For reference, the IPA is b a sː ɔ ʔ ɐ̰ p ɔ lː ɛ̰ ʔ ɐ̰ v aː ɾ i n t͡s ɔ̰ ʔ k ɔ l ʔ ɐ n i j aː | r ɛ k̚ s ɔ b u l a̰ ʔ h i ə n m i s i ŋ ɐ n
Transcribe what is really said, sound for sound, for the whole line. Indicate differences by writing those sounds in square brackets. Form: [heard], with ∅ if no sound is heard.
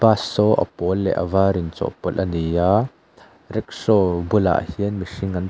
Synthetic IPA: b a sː ɔ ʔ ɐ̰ p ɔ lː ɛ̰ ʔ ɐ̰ v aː ɾ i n t͡s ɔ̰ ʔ [p] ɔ l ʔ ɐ n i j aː | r ɛ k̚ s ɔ b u l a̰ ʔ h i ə n m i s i ŋ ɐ n